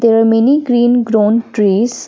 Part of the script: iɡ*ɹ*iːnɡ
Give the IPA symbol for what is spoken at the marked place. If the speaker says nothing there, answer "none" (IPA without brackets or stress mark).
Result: ɾ